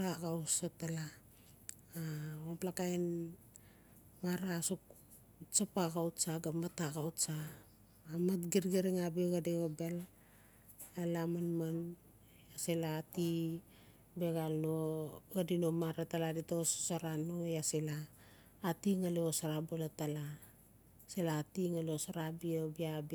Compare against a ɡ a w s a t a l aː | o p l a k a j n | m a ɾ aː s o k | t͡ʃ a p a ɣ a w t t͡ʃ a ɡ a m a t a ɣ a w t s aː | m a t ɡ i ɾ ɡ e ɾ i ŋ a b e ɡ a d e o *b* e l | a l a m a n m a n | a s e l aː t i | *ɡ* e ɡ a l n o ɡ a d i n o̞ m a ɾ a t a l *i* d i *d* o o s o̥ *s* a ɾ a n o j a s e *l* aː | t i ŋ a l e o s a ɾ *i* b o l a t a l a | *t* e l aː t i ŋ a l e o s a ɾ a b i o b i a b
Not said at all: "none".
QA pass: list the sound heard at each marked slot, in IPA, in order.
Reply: b, b, a, t, s, l, a, s

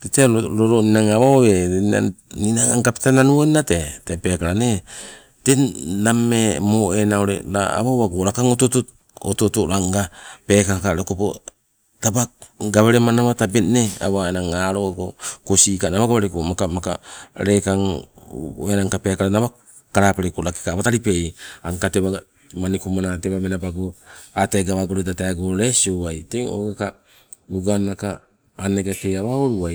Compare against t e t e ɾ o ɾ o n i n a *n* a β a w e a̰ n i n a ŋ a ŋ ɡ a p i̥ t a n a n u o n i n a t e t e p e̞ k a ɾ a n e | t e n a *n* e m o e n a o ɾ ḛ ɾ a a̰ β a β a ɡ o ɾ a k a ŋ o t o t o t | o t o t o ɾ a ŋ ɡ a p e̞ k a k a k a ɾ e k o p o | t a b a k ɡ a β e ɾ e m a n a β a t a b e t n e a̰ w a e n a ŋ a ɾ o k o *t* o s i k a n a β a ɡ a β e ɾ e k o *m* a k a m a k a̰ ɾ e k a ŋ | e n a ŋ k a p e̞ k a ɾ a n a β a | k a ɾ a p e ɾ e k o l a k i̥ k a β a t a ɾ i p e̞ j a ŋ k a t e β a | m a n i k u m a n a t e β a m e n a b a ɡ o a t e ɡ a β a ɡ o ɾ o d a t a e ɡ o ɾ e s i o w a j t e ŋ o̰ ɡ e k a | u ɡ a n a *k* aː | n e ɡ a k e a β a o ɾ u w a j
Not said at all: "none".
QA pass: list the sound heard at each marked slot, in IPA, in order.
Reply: ŋ, m, k, m, k

